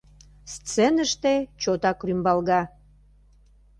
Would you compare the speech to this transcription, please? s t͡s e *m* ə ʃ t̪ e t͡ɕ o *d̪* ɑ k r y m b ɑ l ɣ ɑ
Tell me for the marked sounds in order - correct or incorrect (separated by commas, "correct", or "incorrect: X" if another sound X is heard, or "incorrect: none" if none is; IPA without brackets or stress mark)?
incorrect: n, incorrect: t̪